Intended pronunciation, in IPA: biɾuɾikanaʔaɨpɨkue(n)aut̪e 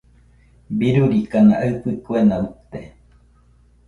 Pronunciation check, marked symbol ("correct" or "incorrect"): correct